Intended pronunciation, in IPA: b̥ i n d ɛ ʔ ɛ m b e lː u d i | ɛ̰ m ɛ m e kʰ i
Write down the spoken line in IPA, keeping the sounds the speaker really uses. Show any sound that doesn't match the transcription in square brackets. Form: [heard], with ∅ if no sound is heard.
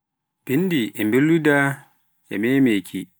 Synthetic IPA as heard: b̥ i n d [i] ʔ ɛ m b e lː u d [a] | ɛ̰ m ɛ m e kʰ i